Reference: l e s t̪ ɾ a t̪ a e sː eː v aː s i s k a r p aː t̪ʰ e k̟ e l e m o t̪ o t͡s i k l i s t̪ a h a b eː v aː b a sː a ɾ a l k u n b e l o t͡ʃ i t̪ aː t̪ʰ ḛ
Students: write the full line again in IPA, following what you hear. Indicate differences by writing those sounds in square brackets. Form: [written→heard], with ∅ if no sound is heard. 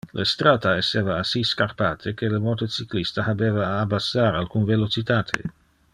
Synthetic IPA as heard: l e s t̪ ɾ a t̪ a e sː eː v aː s i s k a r p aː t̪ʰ e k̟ e l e m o t̪ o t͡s i k l i s t̪ a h a b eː v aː b a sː a ɾ a l k u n [b→v] e l o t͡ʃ i t̪ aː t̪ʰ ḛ